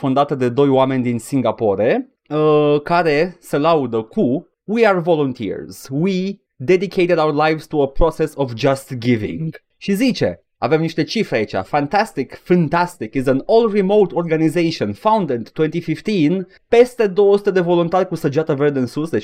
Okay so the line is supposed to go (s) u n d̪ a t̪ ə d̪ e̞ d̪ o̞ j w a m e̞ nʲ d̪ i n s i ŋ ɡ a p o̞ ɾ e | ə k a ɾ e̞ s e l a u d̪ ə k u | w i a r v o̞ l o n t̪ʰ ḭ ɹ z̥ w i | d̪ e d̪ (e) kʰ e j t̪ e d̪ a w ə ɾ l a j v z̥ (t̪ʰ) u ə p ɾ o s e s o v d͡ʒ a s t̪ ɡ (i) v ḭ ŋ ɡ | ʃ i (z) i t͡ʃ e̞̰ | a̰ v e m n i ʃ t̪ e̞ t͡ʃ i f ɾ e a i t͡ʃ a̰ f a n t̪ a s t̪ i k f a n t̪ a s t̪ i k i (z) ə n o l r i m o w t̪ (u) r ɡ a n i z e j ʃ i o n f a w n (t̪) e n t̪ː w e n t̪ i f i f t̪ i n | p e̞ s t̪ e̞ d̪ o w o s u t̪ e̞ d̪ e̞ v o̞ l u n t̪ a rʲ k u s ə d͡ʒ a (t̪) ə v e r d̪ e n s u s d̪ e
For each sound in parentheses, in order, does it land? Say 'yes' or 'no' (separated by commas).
no, no, no, yes, yes, yes, no, no, yes